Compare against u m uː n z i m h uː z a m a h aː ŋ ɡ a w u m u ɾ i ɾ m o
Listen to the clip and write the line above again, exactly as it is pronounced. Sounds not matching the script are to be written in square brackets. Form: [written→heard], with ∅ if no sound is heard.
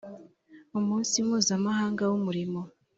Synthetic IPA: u m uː n [z→s] i m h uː z a m a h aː ŋ ɡ a w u m u ɾ i [ɾ→∅] m o